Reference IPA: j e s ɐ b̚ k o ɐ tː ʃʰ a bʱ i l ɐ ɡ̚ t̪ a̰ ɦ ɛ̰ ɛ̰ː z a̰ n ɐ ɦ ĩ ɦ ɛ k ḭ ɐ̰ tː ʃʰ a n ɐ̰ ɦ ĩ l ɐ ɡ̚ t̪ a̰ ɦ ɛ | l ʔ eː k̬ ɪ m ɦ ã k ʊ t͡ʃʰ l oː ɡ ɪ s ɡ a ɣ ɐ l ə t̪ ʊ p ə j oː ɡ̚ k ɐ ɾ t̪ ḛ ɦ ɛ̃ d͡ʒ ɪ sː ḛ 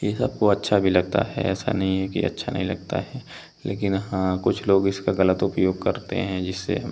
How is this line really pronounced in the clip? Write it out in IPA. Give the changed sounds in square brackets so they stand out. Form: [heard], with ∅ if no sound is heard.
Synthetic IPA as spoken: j e s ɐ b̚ k o ɐ tː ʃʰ a bʱ i l ɐ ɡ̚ t̪ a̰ ɦ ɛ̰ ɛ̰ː [s] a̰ n ɐ ɦ ĩ ɦ ɛ k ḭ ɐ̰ tː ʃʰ a n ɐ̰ ɦ ĩ l ɐ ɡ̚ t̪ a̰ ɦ ɛ | l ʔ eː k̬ ɪ [n] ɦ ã k ʊ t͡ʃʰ l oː ɡ ɪ s [k] a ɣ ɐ l ə t̪ ʊ p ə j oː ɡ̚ k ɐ ɾ t̪ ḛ ɦ ɛ̃ d͡ʒ ɪ sː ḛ